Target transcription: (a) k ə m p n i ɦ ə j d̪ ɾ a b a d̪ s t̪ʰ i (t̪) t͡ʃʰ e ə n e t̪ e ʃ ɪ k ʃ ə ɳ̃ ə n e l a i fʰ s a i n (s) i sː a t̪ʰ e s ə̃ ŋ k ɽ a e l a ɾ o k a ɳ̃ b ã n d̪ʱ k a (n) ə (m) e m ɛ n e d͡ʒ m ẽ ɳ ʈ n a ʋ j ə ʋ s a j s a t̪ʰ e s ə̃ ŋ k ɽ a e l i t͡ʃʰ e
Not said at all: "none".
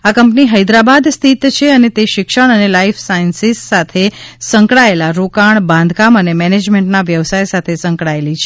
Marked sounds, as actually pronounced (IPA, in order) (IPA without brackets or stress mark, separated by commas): a, t̪, s, m, n